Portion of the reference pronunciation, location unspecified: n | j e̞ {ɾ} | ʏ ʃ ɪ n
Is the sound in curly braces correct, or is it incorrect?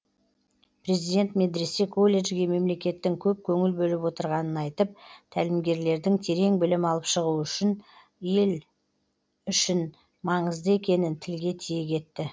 incorrect